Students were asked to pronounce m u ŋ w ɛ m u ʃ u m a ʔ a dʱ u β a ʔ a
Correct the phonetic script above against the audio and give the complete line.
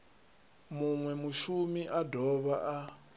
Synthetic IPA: m u ŋ w ɛ m u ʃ u m i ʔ a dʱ ɔ β a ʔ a